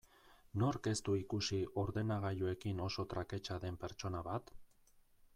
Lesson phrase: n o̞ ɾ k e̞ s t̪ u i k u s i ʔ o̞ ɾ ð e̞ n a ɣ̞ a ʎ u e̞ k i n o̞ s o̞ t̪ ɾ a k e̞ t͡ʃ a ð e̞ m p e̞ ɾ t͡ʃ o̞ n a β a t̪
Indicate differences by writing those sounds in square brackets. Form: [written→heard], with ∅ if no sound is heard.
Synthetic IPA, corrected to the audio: n o̞ ɾ k e̞ s t̪ u i k u s i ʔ o̞ ɾ ð e̞ n a ɣ̞ a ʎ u e̞ k i n o̞ s o̞ t̪ ɾ a k e̞ t͡ʃ a ð e̞ m p e̞ ɾ t͡ʃ o̞ n a β a t̪